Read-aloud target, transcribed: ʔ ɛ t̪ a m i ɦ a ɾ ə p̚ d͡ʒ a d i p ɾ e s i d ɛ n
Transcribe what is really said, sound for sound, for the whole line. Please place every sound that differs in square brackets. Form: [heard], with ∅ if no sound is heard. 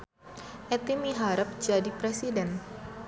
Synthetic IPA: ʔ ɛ t̪ [i] m i ɦ a ɾ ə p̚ d͡ʒ a d i p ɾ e s i d ɛ n